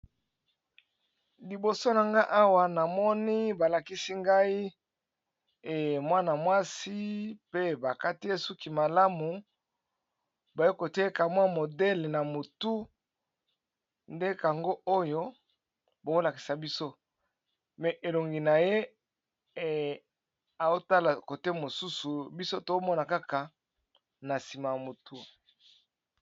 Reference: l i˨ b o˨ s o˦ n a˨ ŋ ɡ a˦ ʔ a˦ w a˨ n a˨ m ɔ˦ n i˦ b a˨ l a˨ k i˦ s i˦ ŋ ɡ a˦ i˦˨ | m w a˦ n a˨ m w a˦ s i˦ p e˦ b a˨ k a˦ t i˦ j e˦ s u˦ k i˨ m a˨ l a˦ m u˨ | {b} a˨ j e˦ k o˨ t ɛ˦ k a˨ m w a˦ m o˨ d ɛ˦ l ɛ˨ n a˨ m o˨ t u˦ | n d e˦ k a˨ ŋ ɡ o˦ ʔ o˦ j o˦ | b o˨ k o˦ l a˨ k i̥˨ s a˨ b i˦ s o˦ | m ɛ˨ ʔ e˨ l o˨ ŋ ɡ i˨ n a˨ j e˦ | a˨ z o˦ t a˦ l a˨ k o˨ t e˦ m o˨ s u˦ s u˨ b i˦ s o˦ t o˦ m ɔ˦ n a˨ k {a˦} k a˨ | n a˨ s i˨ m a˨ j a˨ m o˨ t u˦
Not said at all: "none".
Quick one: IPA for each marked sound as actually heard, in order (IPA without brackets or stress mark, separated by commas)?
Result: b, a˦